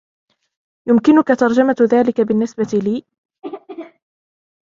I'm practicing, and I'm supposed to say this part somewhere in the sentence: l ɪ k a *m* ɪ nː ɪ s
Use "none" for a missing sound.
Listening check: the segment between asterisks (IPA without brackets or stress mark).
b